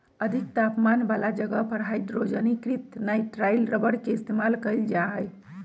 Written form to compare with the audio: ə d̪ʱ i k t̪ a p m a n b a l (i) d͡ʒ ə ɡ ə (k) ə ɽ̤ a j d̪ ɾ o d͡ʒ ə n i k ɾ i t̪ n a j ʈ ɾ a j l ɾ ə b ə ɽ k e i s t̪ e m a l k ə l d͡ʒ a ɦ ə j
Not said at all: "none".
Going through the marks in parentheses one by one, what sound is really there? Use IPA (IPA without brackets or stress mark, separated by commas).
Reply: a, p